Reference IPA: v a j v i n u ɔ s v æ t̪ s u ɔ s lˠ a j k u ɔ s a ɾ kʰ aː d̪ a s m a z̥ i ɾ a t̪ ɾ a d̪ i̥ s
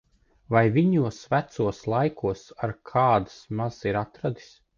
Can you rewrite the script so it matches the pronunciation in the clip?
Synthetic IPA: v a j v i ɲ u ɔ s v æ t̪ s u ɔ s lˠ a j k u ɔ s a ɾ kʰ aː d̪ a s m a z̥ i ɾ a t̪ ɾ a d̪ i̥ s